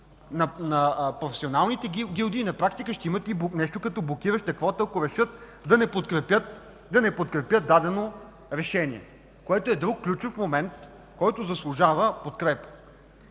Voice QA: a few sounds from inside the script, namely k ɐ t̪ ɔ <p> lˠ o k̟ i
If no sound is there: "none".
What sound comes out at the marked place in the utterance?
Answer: b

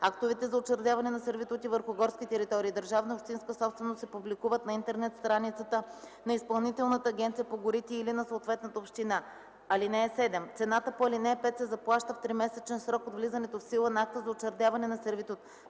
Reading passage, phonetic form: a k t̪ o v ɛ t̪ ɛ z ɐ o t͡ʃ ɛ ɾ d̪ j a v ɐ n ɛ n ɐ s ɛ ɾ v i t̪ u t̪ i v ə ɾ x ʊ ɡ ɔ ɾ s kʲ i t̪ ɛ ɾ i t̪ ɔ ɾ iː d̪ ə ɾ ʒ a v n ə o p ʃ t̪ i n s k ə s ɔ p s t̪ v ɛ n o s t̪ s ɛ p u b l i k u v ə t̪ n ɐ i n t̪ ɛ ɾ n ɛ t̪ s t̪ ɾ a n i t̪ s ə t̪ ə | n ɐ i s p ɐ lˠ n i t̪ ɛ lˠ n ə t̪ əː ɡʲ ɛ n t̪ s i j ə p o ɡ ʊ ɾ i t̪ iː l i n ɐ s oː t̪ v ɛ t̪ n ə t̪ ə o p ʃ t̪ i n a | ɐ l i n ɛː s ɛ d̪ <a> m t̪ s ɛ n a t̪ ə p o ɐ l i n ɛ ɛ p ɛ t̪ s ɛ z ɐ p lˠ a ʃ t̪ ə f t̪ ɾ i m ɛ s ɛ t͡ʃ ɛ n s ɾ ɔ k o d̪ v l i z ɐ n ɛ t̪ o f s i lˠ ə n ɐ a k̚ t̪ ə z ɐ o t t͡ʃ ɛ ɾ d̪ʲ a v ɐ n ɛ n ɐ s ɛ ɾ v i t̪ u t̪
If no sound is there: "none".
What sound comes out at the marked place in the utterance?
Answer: ɛ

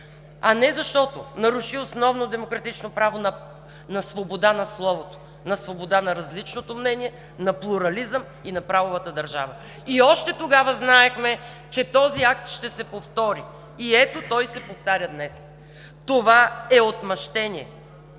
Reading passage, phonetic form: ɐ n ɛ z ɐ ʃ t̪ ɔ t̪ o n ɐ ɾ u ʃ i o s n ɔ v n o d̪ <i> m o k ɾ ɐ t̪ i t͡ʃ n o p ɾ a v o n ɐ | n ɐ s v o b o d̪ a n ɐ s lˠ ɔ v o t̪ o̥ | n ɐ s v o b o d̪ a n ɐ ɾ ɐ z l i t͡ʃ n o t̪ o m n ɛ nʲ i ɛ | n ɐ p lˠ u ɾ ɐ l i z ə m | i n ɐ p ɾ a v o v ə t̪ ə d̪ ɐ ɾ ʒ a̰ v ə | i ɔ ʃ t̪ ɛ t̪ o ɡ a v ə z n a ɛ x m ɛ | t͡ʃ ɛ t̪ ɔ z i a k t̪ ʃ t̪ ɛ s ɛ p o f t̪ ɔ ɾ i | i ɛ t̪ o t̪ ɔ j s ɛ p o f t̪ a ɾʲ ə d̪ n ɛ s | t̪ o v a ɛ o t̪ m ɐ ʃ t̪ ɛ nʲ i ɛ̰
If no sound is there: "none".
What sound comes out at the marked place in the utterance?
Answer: ɛ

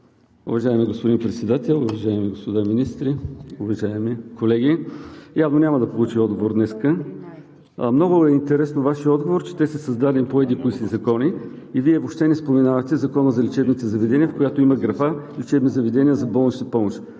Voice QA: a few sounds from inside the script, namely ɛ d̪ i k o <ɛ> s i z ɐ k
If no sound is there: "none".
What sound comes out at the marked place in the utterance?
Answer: i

